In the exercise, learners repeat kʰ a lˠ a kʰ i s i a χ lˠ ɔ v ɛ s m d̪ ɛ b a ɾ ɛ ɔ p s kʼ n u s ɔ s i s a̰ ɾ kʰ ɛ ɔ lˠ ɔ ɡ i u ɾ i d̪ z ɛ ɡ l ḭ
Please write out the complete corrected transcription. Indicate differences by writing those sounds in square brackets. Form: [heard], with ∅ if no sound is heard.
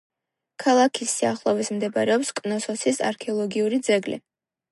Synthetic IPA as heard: kʰ a lˠ a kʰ i s i a χ lˠ ɔ v [i] s m d̪ ɛ b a ɾ ɛ ɔ p s kʼ n [ɔ] s ɔ s i s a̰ ɾ kʰ ɛ ɔ lˠ ɔ ɡ i u ɾ i d̪ z ɛ ɡ l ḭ